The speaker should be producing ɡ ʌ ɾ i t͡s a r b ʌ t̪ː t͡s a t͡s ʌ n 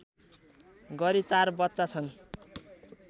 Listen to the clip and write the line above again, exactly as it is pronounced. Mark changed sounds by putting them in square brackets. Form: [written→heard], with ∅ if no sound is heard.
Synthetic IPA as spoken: ɡ ʌ ɾ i t͡s a r b ʌ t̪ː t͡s a [t͡s→t͡sʰ] ʌ n